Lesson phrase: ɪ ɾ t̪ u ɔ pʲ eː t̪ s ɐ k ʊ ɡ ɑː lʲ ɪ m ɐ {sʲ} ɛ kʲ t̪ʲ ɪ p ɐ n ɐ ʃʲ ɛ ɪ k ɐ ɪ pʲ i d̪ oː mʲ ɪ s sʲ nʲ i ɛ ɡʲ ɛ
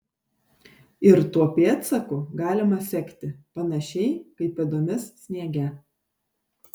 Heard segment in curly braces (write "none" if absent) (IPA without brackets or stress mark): sʲ